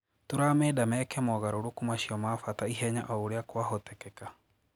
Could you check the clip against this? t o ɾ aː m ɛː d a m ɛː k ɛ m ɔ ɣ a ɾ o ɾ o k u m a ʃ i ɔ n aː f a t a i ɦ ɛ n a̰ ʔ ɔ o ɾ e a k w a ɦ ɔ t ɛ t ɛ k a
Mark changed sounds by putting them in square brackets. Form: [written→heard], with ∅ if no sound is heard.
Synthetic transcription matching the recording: t o ɾ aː m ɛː d a m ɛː k ɛ m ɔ ɣ a ɾ o ɾ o k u m a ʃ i ɔ [n→m] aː f a t a i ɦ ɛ [n→ɲ] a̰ ʔ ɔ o ɾ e a k w a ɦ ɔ t ɛ [t→k] ɛ k a